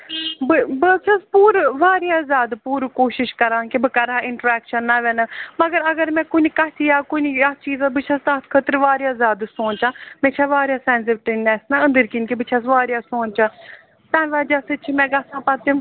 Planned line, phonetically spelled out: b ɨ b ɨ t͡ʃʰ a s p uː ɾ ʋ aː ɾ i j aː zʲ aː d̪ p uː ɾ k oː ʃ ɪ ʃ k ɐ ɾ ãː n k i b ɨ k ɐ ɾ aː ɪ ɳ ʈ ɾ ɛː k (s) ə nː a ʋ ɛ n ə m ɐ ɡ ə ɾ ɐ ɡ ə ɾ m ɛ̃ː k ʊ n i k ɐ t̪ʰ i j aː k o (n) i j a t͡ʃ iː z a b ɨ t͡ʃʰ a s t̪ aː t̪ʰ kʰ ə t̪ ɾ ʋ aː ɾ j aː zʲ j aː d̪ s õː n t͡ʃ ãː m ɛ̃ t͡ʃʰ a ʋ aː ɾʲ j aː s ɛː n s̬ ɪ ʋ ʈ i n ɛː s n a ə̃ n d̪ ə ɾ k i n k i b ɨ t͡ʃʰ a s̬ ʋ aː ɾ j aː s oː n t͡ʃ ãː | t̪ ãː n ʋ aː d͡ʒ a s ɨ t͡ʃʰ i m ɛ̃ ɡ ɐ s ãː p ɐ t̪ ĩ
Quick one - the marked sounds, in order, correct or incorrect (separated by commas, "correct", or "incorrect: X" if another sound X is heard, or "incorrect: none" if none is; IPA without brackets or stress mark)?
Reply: incorrect: ʃ, correct